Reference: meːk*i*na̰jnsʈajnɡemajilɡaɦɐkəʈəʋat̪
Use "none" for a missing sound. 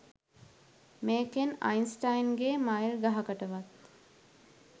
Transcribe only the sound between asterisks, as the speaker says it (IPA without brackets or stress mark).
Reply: e